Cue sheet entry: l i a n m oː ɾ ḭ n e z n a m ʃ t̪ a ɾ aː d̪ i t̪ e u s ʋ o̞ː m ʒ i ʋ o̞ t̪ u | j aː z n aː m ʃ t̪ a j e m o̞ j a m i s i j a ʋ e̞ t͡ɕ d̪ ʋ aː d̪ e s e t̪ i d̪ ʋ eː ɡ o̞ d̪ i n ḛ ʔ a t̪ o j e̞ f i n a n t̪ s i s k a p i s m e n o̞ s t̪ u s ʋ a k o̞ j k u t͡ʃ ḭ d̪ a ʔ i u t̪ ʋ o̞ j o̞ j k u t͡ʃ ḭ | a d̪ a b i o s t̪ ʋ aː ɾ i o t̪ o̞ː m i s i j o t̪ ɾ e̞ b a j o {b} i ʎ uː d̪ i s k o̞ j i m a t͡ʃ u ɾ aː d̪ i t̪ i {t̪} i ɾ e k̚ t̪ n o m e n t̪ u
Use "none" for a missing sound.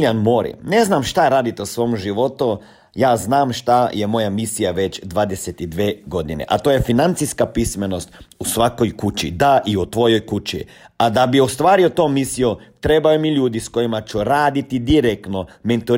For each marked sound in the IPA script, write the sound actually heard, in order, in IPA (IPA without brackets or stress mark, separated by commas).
m, d̪